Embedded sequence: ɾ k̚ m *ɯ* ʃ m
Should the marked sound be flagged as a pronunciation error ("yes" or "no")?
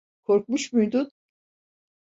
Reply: yes